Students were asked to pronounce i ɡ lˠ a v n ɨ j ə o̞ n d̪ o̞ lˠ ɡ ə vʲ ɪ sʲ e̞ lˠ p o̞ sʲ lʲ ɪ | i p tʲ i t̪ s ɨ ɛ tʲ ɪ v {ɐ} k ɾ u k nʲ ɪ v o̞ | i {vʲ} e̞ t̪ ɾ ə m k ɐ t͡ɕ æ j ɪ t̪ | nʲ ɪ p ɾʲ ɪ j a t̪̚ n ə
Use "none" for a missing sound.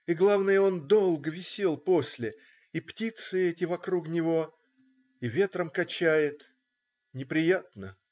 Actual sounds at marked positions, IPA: ɐ, vʲ

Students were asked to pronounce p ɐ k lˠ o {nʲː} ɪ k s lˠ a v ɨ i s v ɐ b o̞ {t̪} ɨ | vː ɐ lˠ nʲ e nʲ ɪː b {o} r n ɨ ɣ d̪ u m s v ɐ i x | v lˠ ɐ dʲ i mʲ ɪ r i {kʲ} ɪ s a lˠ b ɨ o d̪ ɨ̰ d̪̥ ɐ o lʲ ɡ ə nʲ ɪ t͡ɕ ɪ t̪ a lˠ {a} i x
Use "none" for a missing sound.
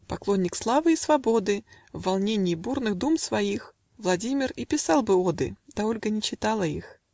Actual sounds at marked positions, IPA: nʲː, d̪, u, pʲ, ə

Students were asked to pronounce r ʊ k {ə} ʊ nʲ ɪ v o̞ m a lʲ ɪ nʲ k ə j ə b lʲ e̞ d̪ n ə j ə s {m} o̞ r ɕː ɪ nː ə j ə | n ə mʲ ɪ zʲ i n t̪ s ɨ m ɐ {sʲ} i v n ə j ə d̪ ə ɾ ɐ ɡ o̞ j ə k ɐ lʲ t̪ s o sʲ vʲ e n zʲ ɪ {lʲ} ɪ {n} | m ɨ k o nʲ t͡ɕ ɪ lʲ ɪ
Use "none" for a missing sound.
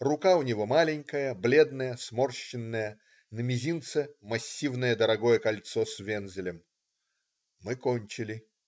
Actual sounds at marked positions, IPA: a, m, sʲː, lʲ, m

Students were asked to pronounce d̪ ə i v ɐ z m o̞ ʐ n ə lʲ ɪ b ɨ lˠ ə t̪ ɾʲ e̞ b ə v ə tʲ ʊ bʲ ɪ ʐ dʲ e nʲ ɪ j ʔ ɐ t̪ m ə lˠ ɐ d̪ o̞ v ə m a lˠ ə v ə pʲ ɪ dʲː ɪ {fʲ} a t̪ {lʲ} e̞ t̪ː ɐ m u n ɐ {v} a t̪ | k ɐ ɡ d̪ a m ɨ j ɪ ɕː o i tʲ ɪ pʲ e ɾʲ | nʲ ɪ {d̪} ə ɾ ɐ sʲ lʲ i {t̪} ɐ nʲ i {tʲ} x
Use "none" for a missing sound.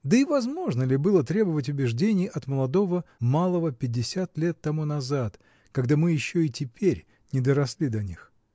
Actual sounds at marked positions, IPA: sʲ, lʲ, z, d̪, d̪, none

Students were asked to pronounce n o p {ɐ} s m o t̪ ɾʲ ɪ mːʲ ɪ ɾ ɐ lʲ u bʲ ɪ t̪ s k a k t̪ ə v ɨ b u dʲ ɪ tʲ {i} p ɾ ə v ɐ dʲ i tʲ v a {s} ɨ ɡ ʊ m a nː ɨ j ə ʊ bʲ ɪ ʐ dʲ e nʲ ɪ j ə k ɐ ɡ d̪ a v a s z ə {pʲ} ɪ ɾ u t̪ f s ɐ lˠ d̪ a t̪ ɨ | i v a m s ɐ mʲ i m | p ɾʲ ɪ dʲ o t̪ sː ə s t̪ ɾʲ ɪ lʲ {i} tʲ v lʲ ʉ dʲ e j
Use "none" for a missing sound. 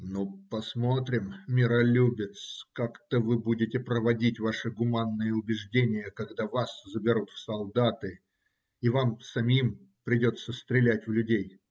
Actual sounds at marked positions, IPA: ɐ, ɪ, ʂ, bʲ, æ

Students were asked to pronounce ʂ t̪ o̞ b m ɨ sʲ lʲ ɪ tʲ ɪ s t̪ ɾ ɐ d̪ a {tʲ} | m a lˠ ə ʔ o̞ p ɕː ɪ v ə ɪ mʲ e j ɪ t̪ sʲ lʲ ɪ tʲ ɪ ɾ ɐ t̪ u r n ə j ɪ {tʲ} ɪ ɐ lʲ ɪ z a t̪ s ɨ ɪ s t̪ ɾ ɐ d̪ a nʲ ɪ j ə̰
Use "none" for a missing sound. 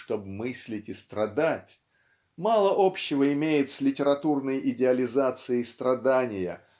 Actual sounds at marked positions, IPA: tʲ, dʲ

